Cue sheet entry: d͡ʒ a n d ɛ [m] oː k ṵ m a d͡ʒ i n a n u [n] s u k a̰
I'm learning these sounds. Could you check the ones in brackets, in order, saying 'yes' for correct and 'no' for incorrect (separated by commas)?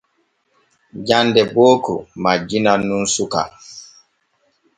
no, yes